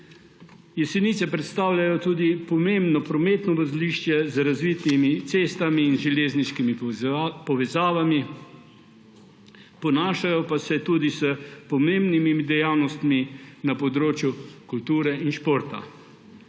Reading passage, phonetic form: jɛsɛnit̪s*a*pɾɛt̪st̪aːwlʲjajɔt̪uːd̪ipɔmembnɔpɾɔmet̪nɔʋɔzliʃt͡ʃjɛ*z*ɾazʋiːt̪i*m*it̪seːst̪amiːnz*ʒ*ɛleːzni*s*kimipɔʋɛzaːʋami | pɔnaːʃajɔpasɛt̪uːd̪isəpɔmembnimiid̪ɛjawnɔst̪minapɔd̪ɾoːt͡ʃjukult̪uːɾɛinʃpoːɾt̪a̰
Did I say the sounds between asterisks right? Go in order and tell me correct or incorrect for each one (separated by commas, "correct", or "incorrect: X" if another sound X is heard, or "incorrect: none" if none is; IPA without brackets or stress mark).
incorrect: ɛ, correct, correct, correct, incorrect: ʃ